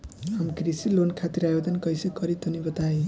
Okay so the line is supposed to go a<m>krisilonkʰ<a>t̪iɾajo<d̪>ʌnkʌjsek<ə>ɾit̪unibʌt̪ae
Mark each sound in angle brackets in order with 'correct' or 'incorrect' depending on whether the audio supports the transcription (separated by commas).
correct, correct, correct, incorrect